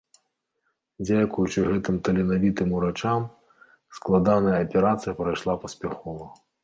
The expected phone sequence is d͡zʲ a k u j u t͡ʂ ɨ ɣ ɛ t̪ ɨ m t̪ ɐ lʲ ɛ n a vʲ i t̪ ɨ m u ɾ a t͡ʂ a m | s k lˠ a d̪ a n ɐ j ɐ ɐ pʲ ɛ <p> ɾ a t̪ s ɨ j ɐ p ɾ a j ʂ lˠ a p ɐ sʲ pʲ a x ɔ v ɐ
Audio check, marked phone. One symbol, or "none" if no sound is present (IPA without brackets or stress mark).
none